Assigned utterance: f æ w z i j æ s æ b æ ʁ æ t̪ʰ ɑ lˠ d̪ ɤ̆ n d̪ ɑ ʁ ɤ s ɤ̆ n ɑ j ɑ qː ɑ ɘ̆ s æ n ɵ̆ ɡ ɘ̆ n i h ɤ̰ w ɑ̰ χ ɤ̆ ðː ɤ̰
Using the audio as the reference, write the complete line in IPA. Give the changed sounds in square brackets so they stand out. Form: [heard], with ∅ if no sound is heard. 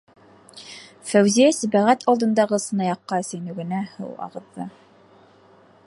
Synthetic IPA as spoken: f æ w z i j æ s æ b æ ʁ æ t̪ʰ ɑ lˠ d̪ ɤ̆ n d̪ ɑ ʁ ɤ s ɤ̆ n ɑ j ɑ qː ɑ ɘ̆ s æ n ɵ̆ ɡ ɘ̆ n [æ] h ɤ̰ w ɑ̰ [ʁ] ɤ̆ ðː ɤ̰